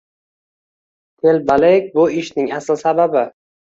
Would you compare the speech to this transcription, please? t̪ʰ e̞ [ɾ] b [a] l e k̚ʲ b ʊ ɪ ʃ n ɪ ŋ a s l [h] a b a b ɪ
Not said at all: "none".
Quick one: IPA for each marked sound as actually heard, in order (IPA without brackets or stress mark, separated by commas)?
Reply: l, a, s